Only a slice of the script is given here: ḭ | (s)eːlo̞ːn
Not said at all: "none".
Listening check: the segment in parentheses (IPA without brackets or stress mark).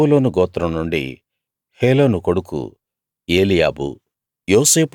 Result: h